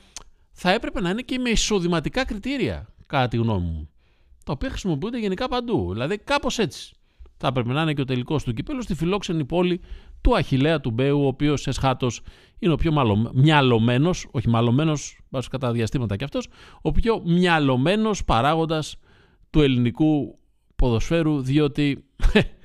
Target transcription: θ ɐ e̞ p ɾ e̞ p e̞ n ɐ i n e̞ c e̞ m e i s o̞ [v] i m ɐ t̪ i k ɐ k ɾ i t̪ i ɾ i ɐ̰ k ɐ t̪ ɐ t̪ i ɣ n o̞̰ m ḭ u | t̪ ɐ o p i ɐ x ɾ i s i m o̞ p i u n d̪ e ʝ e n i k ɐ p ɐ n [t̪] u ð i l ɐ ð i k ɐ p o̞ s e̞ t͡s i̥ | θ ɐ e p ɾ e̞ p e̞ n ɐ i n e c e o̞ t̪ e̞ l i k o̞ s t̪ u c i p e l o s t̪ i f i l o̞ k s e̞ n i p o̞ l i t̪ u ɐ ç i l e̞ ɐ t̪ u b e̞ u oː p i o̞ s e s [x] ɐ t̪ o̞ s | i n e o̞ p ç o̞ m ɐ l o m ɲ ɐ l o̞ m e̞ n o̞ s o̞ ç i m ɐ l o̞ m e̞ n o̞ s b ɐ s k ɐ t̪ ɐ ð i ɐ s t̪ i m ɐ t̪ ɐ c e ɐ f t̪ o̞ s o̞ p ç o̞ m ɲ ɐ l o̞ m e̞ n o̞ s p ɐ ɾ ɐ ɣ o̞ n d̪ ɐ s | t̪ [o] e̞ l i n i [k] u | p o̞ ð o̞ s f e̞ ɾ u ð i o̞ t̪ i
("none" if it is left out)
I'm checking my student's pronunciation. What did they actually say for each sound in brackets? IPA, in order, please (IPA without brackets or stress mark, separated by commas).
ð, d̪, x, u, k